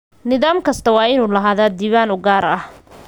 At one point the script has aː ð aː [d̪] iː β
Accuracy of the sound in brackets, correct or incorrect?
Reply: correct